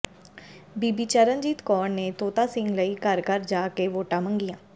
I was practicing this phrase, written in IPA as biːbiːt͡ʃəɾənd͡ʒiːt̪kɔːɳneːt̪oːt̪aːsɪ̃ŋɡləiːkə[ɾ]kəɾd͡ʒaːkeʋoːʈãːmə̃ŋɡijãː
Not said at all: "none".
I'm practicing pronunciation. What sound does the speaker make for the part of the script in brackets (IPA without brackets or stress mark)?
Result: ɾ